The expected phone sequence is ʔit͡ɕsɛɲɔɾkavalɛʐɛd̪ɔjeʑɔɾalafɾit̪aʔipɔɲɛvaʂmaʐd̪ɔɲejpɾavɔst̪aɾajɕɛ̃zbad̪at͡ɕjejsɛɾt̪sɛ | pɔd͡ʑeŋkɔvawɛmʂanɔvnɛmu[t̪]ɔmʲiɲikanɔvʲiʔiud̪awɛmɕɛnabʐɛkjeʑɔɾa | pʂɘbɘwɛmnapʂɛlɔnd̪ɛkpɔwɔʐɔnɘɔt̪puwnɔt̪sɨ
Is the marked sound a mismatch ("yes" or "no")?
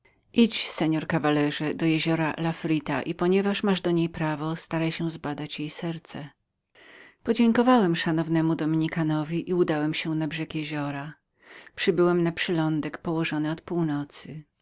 yes